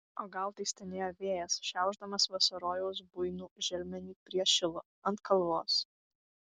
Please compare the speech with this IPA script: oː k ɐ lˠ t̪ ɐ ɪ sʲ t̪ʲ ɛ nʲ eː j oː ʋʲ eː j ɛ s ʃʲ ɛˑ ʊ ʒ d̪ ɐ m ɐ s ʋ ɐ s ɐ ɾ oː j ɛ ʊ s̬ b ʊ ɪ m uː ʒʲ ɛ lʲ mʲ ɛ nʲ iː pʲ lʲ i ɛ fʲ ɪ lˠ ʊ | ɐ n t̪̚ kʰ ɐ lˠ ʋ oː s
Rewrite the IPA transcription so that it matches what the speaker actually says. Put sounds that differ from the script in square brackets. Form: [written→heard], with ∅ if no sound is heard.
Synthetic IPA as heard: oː [k→ɡ] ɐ lˠ t̪ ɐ ɪ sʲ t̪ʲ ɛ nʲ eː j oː ʋʲ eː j ɛ s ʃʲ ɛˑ ʊ ʒ d̪ ɐ m ɐ s ʋ ɐ s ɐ ɾ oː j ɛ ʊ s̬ b ʊ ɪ [m→n] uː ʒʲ ɛ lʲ mʲ ɛ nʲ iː pʲ [lʲ→ɾʲ] i ɛ [fʲ→ʃʲ] ɪ lˠ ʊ | ɐ n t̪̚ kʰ ɐ lˠ ʋ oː s